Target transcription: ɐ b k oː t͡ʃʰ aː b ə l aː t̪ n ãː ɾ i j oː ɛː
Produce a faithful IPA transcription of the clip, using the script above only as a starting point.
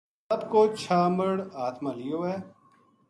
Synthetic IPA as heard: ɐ b k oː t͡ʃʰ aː m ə ɽ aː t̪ m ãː l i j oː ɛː

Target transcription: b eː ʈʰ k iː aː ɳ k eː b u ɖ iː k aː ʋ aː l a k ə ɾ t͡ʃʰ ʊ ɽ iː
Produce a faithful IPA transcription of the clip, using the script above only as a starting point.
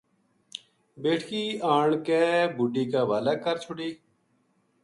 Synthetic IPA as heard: b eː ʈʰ k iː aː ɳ k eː b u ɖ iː k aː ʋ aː l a k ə ɾ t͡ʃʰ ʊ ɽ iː

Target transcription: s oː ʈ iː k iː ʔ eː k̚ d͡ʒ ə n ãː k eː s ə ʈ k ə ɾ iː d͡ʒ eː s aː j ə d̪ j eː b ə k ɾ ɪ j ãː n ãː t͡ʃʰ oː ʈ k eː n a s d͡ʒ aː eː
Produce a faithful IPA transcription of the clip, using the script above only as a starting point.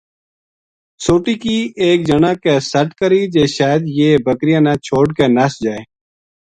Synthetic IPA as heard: s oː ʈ iː k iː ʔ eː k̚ d͡ʒ ə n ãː k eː s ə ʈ k ə ɾ iː d͡ʒ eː ʃ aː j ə d̪ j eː b ə k ɾ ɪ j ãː n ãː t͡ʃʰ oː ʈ k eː n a s d͡ʒ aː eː

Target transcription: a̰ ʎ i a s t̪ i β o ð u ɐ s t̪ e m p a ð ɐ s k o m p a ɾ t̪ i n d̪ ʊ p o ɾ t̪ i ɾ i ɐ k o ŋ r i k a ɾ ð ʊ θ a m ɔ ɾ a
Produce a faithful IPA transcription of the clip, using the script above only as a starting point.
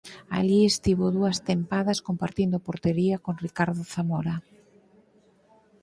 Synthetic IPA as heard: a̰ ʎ i e s t̪ i β o ð u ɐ s t̪ e m p a ð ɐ s k o m p a ɾ t̪ i n d̪ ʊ p o ɾ t̪ e ɾ i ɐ k o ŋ r i k a ɾ ð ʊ θ a m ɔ ɾ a

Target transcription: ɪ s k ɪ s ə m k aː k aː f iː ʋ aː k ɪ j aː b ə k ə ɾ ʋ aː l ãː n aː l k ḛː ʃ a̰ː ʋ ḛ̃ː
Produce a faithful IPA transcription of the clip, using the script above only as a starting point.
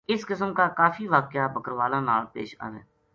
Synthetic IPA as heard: ɪ s k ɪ s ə m k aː k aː f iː ʋ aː k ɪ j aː b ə k ə ɾ ʋ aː l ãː n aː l p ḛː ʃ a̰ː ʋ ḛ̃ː

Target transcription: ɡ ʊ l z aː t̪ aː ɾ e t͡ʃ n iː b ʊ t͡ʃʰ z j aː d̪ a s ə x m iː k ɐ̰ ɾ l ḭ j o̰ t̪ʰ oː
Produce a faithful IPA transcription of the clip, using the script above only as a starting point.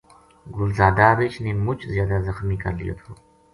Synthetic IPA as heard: ɡ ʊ l z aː d̪ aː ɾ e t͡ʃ n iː m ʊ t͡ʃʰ z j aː d̪ a z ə x m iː k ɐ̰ ɾ l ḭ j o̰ t̪ʰ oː

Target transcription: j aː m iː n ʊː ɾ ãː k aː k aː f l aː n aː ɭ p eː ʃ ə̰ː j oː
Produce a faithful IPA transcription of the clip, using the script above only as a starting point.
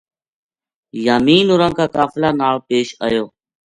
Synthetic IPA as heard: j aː m iː n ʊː ɾ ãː k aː k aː f l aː n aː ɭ p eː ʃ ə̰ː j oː

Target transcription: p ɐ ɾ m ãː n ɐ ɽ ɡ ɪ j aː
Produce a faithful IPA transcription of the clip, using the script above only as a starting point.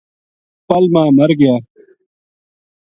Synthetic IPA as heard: p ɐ l m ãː m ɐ ɾ ɡ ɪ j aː

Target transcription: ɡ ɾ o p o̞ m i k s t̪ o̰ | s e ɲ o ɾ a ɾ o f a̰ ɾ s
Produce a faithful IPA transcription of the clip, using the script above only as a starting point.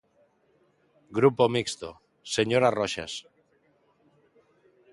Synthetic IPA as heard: ɡ ɾ u p o̞ m i k s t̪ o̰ | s e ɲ o ɾ a r o ʃ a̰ s

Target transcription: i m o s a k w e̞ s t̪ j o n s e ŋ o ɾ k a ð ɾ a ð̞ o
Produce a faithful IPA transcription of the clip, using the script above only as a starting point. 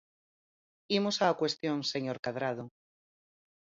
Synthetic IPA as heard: i m o s a k w e̞ s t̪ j o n s e ɲ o ɾ k a ð ɾ a ð̞ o

